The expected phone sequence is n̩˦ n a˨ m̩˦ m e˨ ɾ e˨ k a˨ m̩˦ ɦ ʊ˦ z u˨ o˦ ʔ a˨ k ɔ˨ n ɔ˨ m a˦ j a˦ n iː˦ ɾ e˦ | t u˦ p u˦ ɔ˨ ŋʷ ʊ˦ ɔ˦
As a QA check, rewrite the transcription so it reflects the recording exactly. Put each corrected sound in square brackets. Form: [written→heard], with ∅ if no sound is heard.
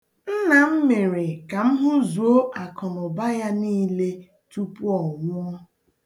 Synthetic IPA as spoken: n̩˦ n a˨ m̩˦ m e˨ ɾ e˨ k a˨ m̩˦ ɦ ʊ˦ z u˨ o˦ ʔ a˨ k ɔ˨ n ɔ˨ [m→b] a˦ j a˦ n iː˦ [ɾ→l] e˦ | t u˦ p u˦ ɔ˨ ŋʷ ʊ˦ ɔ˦